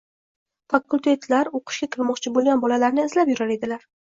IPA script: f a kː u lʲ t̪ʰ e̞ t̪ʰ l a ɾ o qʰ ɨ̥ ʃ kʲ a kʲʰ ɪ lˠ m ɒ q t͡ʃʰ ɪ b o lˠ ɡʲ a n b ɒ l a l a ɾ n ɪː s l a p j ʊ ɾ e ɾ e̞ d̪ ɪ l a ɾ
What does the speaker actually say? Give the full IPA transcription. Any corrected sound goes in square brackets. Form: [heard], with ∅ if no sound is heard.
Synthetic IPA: f a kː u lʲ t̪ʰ e̞ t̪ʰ l a ɾ o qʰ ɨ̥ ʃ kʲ a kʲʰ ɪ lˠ m ɒ q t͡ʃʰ ɪ b o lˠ ɡʲ a n b ɒ l a l a ɾ n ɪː [z] l a p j ʊ ɾ [a] ɾ e̞ d̪ ɪ l a ɾ